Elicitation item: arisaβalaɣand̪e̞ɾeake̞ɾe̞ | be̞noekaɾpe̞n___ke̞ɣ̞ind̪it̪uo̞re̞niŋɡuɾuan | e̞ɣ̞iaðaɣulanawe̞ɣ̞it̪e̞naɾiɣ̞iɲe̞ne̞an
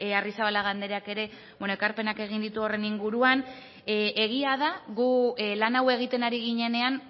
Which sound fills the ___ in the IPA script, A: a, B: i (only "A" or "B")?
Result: A